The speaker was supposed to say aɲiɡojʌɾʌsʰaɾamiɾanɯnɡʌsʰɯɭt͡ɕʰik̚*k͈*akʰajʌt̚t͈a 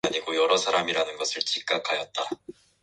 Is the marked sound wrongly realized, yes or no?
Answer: no